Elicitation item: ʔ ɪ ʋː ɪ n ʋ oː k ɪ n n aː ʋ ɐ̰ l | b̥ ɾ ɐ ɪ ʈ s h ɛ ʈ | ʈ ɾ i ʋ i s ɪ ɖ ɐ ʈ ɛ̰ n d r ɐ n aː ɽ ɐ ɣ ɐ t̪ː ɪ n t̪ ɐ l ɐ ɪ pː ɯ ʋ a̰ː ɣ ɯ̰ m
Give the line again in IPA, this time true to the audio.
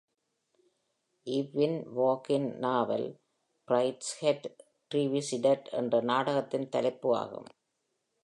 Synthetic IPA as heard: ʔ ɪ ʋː ɪ n ʋ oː k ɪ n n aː ʋ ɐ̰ l | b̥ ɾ ɐ ɪ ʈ s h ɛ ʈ | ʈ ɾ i ʋ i s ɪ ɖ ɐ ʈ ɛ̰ n d r ɐ n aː ɽ ɐ ɣ ɐ t̪ː ɪ n t̪ ɐ l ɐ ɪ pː ɯ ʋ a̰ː ɣ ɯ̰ m